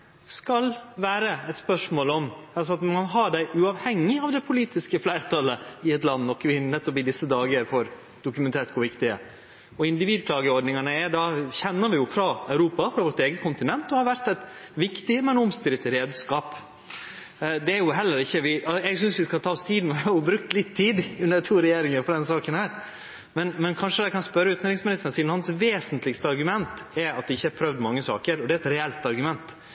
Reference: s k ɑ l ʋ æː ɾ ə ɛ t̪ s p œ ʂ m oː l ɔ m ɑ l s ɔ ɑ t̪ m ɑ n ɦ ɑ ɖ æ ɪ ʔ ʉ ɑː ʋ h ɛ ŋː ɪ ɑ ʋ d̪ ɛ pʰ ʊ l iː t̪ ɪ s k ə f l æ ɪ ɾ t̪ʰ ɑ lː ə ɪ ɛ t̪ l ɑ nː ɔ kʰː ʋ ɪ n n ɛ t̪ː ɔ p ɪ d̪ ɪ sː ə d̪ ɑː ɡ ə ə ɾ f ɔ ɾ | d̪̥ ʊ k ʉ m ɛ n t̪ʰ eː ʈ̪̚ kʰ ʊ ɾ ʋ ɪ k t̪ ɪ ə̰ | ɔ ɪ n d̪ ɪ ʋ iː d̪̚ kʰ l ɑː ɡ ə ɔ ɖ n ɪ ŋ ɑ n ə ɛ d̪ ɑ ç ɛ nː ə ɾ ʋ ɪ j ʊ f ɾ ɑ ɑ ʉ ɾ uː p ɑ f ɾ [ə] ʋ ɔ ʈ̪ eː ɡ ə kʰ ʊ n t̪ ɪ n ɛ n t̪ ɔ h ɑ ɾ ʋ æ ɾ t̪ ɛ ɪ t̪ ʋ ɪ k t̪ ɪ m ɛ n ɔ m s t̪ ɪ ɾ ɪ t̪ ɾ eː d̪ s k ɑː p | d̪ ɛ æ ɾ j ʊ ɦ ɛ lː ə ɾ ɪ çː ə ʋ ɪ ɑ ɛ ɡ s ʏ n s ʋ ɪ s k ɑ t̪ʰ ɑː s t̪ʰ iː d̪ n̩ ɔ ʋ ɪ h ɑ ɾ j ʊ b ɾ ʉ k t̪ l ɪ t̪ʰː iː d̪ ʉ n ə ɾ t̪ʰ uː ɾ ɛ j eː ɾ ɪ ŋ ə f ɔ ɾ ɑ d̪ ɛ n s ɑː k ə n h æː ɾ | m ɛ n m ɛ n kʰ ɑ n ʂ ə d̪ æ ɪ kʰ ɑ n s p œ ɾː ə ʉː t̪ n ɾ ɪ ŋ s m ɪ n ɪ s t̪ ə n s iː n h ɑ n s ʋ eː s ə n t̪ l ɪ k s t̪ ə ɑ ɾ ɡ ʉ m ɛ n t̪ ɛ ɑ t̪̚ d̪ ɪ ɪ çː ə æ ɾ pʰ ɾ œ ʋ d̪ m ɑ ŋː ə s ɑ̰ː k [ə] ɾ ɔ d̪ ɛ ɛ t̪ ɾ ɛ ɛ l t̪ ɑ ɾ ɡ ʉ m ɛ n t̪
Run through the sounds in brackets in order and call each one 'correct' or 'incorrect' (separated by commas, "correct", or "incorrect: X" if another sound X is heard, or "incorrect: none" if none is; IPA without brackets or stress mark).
incorrect: ɑ, correct